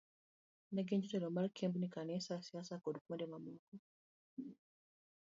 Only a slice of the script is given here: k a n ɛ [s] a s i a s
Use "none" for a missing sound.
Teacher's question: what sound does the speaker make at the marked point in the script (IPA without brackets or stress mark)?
s